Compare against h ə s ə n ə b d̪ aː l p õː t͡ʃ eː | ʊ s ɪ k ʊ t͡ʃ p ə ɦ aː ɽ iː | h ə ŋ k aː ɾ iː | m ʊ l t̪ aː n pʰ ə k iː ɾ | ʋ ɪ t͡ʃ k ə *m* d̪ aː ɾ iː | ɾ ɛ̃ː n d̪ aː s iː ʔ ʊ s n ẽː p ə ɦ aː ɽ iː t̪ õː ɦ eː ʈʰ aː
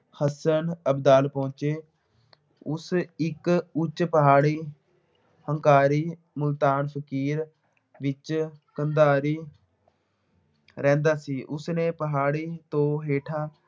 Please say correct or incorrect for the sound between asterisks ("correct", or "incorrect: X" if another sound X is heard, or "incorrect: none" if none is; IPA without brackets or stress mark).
incorrect: n